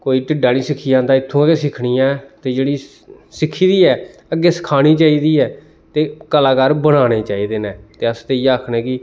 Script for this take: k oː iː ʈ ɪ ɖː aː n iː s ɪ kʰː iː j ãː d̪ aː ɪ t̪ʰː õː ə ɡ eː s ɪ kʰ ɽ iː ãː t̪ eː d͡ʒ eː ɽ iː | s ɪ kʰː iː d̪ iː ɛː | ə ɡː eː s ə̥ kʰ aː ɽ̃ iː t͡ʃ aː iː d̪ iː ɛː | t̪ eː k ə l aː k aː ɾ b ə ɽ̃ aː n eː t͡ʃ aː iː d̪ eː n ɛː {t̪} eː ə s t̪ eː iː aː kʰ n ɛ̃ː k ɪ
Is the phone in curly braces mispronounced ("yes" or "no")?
no